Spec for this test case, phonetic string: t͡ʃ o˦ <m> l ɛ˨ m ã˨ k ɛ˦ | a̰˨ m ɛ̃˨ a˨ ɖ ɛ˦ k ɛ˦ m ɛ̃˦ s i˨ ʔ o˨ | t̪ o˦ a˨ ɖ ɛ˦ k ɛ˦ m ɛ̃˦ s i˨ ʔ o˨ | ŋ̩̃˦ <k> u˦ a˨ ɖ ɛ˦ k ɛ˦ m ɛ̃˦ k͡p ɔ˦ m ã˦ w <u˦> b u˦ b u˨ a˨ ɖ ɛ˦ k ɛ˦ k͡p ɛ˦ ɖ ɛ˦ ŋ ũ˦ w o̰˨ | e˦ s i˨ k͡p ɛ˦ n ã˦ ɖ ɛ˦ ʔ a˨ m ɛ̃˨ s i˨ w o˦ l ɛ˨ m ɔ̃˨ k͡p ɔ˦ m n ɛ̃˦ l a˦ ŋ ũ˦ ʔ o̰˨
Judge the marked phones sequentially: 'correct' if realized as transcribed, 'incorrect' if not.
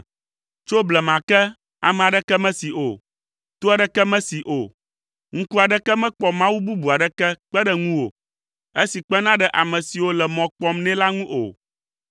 incorrect, correct, correct

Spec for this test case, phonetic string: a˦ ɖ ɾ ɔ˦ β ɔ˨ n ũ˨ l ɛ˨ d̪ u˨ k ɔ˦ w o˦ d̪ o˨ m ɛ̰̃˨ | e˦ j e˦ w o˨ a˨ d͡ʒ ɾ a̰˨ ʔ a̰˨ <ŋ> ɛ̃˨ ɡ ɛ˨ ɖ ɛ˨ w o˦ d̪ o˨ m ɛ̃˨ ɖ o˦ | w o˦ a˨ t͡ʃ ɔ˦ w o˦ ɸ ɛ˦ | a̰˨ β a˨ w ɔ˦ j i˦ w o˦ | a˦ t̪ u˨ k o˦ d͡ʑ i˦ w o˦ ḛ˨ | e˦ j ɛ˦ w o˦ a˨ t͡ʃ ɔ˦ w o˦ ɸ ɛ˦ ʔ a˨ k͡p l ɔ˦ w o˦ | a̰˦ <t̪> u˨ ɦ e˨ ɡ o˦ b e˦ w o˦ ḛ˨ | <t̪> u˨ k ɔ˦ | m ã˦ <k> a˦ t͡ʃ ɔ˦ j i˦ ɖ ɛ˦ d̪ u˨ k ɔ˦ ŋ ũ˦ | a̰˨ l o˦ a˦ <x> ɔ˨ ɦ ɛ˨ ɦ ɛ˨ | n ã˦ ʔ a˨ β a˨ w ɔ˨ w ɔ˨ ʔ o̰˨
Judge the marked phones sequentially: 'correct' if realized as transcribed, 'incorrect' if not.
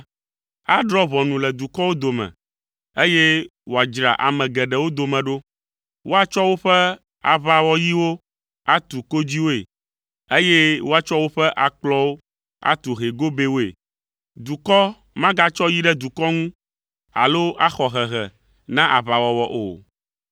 incorrect, correct, incorrect, incorrect, correct

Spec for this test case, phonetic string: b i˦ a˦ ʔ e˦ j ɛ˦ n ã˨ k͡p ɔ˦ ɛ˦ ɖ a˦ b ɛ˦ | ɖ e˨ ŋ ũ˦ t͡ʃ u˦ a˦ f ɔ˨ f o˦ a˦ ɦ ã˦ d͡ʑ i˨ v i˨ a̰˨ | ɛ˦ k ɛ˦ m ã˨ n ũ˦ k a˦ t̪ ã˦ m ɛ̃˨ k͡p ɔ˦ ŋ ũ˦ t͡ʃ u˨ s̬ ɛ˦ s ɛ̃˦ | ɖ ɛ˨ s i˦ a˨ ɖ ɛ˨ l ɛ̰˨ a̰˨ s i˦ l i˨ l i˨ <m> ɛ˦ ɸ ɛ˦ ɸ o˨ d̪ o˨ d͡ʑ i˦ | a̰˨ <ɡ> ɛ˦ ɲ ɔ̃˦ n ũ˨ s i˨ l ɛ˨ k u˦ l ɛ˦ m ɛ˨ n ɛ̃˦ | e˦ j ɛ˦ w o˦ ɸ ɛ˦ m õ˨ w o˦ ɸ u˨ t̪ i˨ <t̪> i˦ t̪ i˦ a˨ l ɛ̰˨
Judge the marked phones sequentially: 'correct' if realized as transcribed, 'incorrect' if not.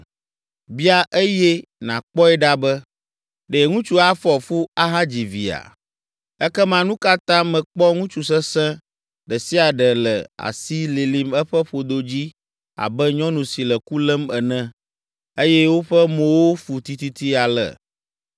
correct, incorrect, correct

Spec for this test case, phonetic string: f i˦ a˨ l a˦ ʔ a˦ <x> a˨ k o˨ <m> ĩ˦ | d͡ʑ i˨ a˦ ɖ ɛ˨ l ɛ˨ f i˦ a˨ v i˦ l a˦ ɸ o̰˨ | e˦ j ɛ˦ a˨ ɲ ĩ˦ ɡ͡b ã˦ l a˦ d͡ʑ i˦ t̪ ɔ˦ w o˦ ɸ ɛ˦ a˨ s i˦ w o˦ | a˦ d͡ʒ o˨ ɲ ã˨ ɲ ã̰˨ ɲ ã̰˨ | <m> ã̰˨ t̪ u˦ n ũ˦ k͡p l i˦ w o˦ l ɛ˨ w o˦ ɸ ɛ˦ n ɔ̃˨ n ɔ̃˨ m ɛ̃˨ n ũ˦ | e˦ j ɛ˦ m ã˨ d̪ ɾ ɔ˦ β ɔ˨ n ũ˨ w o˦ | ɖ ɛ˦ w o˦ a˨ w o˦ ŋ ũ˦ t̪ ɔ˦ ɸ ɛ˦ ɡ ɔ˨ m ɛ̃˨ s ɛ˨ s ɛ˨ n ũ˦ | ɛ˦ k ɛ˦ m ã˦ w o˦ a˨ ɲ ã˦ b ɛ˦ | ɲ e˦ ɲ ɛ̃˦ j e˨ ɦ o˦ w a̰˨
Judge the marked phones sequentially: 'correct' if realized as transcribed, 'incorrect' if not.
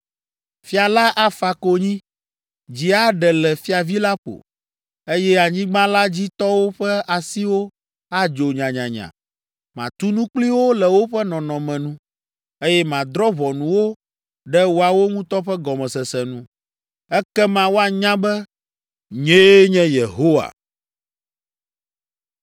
incorrect, incorrect, correct

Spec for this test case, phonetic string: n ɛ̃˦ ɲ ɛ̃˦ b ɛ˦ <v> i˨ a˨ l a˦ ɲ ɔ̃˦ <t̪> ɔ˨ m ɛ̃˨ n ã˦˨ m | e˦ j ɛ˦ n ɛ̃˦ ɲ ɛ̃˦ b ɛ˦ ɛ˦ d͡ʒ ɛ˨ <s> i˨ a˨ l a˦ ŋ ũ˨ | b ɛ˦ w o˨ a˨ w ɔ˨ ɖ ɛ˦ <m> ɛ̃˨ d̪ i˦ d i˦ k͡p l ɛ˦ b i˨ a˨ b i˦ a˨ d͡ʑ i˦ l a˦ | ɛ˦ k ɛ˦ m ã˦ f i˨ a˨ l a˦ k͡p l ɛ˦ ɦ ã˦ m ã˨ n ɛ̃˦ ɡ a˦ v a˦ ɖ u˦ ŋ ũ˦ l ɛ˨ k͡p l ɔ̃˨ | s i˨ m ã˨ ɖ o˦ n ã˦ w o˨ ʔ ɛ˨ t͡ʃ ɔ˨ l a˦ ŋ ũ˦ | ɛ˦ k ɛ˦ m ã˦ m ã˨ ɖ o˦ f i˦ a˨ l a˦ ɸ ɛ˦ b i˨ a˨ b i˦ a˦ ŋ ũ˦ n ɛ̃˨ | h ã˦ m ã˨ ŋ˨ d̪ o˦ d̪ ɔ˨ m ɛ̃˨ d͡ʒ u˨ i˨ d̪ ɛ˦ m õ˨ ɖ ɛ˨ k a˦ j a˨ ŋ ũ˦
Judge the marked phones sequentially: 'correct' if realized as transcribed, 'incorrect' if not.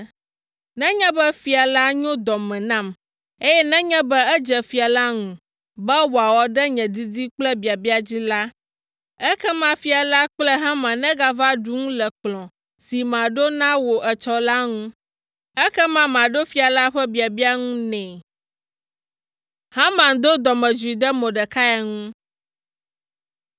incorrect, incorrect, incorrect, incorrect

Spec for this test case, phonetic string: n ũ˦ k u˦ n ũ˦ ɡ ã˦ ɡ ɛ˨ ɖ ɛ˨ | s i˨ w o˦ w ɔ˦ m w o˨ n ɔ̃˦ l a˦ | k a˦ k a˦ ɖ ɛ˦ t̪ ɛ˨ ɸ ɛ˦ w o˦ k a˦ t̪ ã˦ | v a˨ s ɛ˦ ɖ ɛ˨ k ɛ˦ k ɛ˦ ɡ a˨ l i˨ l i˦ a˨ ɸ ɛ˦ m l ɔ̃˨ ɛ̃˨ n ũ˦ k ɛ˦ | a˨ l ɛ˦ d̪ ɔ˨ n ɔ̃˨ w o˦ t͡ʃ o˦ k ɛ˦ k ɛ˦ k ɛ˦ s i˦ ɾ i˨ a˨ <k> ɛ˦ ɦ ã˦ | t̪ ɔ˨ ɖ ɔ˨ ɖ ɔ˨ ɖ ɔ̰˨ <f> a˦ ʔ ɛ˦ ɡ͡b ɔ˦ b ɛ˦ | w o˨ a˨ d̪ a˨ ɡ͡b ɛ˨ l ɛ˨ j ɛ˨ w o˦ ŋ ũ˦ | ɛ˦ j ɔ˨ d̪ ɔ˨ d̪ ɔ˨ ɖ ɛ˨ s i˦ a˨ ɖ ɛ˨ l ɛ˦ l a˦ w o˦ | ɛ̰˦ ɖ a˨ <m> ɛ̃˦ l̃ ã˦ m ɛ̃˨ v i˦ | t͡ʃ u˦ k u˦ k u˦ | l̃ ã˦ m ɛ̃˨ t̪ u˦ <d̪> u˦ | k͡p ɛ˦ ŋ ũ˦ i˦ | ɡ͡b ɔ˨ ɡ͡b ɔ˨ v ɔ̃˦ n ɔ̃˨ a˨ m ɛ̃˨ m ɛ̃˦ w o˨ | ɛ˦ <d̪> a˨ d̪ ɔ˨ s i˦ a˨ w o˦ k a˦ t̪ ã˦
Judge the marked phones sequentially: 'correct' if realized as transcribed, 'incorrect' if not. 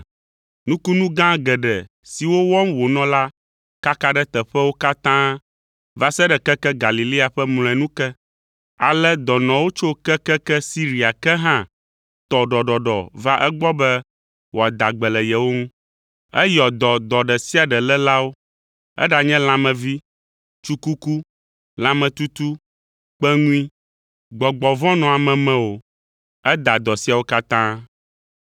correct, incorrect, incorrect, incorrect, correct

